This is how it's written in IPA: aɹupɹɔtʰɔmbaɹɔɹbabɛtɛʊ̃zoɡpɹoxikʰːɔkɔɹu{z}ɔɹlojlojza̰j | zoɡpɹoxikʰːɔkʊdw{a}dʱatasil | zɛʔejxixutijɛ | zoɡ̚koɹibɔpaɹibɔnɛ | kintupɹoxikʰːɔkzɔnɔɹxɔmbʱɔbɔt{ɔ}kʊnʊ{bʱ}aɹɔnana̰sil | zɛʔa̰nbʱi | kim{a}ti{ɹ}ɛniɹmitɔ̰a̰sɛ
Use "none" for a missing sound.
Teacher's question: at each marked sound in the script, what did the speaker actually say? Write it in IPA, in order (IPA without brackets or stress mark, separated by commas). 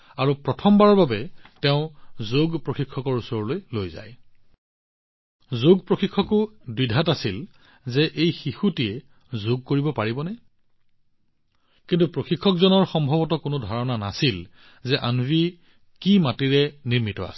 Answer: s, i, ɔ, dʱ, a, ɹ